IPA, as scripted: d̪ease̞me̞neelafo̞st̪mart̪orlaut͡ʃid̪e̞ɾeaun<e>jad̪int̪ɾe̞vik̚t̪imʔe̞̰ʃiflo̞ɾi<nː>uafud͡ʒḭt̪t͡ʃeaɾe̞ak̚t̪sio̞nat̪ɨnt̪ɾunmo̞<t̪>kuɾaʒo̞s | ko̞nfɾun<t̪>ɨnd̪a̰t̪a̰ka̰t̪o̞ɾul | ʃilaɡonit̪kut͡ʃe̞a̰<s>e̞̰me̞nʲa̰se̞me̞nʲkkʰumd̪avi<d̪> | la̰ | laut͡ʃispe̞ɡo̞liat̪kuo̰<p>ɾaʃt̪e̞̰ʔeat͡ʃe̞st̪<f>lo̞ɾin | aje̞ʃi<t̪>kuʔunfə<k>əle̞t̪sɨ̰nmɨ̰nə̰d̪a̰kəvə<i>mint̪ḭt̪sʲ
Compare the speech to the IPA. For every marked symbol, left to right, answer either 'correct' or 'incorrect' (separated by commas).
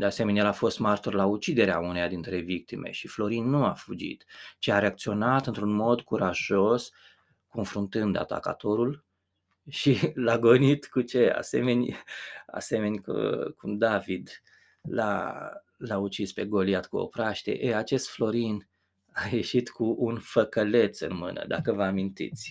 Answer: correct, correct, incorrect, correct, correct, correct, correct, correct, correct, correct, incorrect